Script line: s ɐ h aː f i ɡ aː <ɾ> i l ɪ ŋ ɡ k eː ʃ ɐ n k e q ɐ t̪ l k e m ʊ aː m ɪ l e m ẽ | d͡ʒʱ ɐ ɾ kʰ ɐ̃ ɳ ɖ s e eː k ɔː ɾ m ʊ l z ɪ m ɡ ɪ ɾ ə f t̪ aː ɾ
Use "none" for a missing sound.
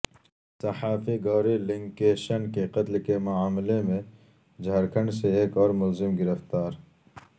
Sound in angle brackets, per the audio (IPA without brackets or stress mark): ɾ